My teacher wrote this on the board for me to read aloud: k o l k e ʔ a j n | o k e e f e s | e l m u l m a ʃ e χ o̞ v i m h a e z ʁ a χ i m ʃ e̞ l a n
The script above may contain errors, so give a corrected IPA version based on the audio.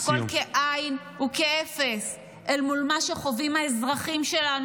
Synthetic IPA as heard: k o l k e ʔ a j n | u k e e f e s | e l m u l m a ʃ e χ o̞ v i m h a e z ʁ a χ i m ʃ e̞ l a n